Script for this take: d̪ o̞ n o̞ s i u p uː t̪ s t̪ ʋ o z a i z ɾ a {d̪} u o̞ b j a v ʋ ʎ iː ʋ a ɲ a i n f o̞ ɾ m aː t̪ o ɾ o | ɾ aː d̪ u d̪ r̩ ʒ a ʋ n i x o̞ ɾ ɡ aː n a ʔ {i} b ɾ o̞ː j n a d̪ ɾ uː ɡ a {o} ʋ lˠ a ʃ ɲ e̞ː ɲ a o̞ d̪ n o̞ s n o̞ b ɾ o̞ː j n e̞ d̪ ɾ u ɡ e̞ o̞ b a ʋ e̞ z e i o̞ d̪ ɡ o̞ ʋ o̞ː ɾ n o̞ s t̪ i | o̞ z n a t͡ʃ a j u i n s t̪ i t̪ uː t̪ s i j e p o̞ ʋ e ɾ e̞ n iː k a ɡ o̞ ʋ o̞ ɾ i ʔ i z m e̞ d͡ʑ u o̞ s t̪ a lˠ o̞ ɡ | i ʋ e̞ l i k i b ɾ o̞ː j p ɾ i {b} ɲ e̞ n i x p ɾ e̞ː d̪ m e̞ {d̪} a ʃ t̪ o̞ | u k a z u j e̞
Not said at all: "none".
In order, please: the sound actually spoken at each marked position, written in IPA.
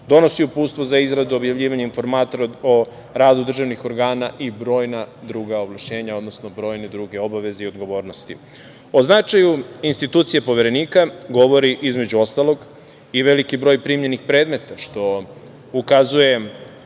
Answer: d̪, i, o, m, t̪

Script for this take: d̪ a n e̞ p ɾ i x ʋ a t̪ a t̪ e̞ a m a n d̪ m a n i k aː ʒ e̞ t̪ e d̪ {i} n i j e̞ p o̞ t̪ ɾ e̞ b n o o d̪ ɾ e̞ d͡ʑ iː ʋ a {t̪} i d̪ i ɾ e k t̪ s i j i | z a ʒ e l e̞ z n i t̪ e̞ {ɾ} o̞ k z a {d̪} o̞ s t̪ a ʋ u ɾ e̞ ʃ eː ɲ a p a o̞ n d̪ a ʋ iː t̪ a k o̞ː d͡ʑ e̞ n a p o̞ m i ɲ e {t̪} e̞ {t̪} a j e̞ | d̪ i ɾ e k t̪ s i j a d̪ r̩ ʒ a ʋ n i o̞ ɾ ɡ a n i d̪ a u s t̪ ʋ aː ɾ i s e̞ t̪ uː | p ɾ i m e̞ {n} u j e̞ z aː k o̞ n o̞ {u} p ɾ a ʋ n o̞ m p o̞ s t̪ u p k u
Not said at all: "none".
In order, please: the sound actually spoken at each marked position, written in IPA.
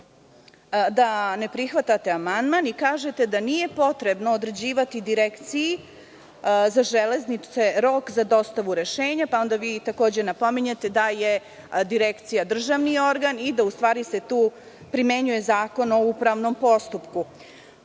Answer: a, t̪, ɾ, d̪, t̪, d̪, ɲ, u

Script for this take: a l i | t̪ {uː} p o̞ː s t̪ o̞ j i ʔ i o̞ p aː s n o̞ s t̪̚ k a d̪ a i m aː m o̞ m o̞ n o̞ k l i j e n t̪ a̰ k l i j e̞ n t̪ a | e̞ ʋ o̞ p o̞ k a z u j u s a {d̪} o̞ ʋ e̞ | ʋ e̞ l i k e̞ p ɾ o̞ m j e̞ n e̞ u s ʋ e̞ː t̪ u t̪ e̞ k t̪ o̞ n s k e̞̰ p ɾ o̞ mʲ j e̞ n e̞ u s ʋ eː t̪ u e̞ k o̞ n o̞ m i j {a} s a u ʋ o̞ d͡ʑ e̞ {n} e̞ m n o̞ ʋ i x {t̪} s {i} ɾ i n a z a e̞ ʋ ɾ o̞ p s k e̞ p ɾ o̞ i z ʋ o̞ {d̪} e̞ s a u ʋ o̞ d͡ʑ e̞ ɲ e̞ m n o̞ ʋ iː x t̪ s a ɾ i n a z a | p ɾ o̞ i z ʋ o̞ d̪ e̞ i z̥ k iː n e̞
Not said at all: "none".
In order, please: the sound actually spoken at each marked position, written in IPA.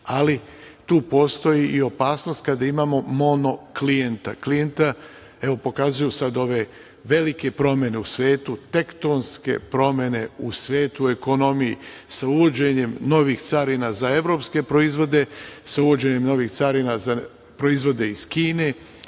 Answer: uː, d̪, i, ɲ, t̪, a, d̪

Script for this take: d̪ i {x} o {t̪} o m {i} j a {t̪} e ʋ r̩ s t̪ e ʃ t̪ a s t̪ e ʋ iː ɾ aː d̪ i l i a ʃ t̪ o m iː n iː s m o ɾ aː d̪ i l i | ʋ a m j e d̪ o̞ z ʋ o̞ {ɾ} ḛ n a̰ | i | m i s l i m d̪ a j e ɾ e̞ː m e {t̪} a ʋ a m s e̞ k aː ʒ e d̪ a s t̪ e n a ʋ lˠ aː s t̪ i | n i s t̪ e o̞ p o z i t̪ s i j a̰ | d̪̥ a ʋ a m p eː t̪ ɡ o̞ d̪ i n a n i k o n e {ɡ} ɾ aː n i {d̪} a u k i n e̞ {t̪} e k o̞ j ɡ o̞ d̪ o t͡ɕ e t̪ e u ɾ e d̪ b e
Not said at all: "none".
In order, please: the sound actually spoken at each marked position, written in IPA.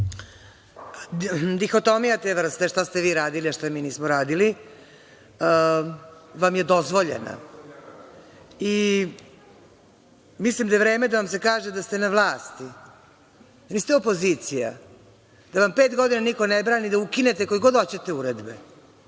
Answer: x, t̪, i, t̪, ʎ, d̪, b, d̪, t̪

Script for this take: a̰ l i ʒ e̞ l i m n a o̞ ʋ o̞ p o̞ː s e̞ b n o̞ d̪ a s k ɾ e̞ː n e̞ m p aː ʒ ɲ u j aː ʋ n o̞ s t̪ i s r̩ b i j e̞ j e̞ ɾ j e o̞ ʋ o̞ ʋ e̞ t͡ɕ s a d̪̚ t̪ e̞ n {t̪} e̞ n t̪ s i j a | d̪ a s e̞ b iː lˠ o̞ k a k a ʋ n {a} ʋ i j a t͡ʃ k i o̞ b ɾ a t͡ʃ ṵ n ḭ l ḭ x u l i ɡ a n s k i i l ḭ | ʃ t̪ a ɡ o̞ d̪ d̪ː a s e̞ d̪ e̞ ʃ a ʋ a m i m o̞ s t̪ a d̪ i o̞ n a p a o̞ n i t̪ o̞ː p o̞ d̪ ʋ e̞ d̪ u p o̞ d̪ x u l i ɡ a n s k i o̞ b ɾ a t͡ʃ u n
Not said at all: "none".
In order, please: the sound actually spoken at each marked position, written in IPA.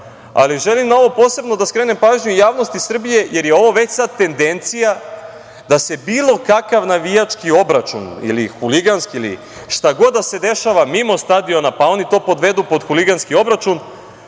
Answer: d̪, a

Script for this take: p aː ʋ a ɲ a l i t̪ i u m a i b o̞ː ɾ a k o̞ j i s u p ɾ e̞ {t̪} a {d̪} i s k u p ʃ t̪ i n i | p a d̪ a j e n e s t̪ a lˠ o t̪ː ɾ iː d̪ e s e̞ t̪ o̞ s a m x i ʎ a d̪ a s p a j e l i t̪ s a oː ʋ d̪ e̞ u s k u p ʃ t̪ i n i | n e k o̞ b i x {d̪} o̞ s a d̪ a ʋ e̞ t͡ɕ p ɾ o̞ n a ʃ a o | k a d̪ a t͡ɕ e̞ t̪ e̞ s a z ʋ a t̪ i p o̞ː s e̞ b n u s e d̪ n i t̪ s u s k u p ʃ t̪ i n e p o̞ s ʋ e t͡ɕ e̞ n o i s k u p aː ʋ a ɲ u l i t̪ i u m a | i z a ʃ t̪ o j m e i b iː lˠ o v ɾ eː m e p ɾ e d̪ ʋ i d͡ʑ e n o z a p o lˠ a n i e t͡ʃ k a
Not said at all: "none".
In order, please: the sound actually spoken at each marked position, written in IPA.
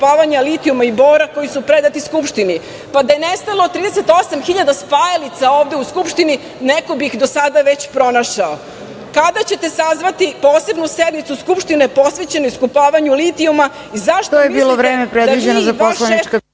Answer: d̪, t̪, d̪

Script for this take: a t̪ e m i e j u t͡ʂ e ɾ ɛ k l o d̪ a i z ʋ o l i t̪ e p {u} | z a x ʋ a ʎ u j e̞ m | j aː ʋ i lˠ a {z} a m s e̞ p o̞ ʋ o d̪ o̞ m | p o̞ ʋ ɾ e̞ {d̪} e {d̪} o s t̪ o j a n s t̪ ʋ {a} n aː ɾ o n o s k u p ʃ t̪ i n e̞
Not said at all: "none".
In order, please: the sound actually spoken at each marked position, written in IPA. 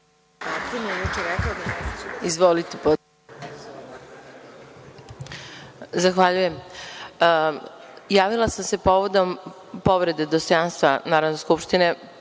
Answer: o, s, d̪, d̪, a

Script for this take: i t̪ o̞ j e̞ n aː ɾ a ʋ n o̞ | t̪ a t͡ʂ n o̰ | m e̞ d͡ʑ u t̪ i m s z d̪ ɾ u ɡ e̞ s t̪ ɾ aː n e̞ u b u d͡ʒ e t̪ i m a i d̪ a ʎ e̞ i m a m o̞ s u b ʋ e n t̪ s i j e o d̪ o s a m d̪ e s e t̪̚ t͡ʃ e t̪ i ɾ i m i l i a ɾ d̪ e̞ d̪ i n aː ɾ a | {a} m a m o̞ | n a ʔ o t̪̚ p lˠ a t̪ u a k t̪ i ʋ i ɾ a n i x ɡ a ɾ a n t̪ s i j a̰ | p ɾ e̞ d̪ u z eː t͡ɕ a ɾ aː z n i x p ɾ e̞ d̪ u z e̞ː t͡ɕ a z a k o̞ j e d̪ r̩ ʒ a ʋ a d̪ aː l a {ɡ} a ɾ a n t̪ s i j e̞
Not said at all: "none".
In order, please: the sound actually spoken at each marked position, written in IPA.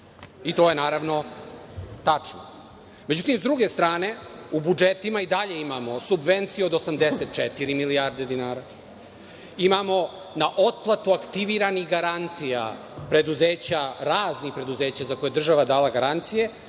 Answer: i, ɡ

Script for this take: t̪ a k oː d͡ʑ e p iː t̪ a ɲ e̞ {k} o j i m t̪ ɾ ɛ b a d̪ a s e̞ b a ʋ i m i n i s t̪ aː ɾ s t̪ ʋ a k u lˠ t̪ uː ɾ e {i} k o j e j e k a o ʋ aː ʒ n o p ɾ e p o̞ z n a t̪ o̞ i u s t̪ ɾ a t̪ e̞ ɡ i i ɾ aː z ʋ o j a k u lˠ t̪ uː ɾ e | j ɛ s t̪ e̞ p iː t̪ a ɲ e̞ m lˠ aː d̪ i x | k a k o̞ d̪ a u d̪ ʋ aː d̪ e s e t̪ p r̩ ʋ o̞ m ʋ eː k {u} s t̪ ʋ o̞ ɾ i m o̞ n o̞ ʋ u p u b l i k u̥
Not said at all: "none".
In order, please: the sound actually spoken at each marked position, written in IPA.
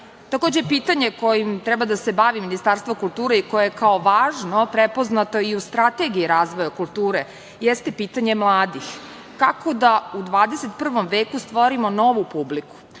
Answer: k, i, u

